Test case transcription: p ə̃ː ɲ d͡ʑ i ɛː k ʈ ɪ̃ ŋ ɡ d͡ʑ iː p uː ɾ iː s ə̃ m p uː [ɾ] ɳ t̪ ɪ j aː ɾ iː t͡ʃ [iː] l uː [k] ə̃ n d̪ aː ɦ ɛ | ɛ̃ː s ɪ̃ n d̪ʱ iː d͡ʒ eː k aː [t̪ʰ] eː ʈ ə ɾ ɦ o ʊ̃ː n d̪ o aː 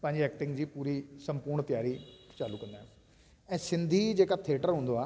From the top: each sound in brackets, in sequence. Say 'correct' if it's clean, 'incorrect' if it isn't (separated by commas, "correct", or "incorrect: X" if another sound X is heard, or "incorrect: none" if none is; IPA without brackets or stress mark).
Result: correct, incorrect: aː, correct, correct